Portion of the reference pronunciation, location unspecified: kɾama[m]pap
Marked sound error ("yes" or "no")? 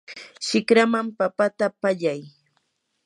no